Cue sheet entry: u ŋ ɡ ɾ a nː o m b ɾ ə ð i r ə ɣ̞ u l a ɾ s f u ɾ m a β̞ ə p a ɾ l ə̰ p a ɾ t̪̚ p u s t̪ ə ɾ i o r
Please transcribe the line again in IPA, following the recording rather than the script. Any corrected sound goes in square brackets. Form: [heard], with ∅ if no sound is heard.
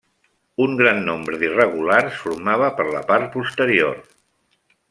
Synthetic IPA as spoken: u ŋ ɡ ɾ a nː o m b ɾ ə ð i r ə ɣ̞ u l a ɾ s f u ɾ m a β̞ ə p [ə] ɾ l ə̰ p a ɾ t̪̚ p u s t̪ ə ɾ i o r